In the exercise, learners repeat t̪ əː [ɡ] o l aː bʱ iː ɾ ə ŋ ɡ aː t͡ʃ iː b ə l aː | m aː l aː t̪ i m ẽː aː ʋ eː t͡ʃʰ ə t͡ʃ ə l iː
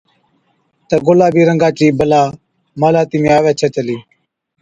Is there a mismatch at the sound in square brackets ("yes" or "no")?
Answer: no